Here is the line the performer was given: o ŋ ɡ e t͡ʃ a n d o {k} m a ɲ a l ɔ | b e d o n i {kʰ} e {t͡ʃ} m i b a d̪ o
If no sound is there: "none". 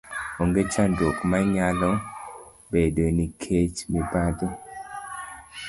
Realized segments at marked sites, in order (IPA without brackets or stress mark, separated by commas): k, kʰ, t͡ʃ